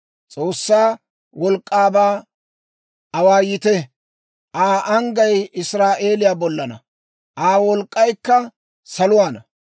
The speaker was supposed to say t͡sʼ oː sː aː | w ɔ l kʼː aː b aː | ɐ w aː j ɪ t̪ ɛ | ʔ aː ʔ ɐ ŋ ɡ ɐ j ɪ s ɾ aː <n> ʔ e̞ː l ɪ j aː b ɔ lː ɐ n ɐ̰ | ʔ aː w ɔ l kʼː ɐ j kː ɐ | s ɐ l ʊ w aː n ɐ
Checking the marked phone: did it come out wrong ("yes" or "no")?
yes